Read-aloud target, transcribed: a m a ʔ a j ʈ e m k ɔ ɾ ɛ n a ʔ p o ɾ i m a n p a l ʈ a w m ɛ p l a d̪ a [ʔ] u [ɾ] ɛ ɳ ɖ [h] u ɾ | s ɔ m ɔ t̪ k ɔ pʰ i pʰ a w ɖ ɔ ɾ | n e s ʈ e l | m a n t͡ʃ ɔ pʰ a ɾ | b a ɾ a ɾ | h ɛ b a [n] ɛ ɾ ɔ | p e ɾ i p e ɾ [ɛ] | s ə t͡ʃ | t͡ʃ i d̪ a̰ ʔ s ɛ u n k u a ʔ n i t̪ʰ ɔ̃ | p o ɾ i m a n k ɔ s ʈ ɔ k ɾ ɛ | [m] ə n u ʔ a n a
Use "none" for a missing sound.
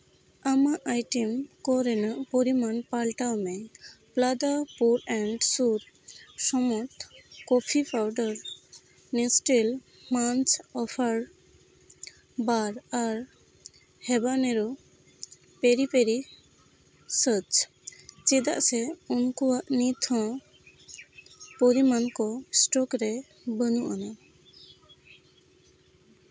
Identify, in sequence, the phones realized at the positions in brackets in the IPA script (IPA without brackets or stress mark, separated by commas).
p, ɾ, s, n, i, b